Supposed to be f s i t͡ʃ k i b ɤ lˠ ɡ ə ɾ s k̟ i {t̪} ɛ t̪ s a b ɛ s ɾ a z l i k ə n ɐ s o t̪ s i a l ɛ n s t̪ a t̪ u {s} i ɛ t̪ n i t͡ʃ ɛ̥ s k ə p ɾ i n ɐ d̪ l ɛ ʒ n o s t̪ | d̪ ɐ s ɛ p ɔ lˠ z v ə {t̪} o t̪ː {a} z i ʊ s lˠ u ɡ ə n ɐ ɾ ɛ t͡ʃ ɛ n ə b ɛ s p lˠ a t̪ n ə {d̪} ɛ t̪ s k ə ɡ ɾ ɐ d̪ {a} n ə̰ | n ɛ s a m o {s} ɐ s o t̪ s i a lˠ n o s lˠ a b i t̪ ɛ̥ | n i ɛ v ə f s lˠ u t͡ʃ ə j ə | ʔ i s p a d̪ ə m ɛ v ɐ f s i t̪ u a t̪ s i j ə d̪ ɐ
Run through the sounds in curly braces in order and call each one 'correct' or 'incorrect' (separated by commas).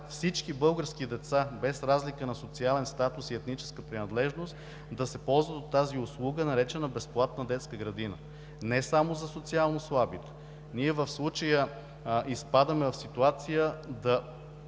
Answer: incorrect, correct, correct, correct, correct, incorrect, incorrect